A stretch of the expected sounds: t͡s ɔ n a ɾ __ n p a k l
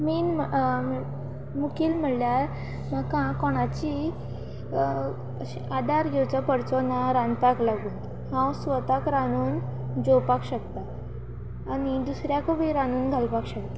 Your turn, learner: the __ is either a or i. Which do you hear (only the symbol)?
a